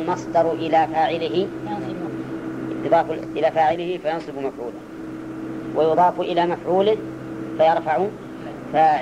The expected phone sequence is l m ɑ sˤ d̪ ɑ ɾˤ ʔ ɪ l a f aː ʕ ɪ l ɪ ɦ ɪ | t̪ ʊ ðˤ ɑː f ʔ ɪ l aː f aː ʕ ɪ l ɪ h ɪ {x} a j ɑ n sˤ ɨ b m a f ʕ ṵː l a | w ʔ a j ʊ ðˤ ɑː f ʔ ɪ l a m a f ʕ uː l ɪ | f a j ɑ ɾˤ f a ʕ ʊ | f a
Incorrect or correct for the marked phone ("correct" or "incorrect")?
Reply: incorrect